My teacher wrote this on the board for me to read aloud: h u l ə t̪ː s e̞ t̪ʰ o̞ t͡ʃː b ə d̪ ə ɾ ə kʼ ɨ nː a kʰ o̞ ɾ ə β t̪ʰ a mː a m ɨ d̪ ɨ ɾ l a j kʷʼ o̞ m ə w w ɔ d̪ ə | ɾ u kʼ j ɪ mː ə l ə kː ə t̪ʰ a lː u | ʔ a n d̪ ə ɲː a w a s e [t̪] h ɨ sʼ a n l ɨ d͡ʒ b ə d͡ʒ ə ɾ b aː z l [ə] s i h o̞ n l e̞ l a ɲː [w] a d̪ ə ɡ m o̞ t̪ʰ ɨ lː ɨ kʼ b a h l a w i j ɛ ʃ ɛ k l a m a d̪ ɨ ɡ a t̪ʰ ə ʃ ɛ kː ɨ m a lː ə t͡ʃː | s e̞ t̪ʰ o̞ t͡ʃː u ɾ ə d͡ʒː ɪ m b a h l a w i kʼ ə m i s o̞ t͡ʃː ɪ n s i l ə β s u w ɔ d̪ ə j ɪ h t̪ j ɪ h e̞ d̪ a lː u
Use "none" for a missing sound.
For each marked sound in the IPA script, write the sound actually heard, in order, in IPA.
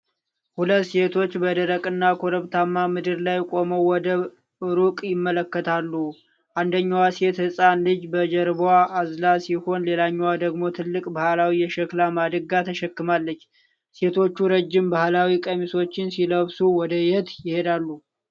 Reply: t̪, a, w

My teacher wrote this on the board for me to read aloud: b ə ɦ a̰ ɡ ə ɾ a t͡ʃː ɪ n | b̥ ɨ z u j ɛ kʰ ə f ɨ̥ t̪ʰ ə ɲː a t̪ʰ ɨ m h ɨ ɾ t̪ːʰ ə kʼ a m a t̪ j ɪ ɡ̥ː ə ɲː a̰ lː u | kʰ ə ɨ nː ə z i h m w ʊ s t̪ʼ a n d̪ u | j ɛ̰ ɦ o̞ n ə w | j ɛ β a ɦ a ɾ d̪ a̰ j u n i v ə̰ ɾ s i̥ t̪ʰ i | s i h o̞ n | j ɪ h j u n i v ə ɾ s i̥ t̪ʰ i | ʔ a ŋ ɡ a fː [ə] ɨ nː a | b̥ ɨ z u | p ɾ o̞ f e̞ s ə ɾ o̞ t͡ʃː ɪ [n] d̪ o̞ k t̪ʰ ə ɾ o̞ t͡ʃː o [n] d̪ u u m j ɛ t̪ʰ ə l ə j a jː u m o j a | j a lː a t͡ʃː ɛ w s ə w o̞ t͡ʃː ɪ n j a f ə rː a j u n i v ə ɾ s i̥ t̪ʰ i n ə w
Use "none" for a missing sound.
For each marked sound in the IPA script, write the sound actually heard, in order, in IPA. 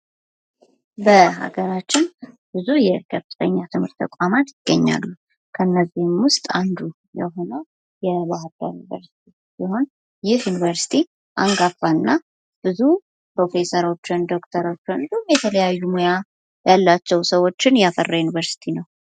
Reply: a, n, n

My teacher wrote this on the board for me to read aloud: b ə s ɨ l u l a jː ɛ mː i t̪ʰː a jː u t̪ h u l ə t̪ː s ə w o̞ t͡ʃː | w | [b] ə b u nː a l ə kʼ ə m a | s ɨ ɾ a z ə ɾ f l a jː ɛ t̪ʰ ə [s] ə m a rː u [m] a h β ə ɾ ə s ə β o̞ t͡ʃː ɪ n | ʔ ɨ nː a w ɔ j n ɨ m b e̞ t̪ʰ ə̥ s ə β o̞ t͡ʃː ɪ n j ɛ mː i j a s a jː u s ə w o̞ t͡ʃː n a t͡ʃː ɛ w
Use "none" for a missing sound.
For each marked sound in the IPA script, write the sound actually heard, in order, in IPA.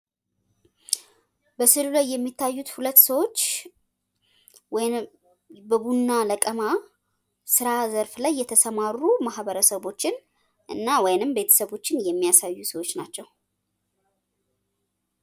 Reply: b, s, m

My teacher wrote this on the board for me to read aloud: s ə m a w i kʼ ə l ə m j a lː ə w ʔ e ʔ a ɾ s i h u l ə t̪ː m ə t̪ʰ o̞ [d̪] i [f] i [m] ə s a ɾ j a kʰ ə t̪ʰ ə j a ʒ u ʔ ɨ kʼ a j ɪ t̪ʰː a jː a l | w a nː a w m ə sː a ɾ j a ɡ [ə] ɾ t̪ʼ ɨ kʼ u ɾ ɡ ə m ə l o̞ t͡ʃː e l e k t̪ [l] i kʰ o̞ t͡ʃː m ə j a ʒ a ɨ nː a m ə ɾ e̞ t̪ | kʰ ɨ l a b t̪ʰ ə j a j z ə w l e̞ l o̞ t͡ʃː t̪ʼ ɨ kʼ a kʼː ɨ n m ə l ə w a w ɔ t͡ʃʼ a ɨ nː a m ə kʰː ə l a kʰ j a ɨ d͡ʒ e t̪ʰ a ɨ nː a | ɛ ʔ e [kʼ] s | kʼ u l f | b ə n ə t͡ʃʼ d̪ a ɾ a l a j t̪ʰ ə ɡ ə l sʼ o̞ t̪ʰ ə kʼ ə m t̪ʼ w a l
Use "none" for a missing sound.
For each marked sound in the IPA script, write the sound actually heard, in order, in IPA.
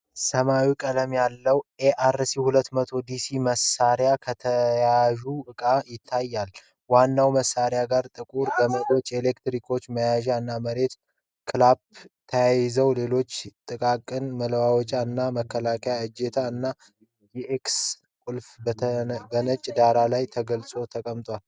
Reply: d̪, s, m, a, ɾ, k

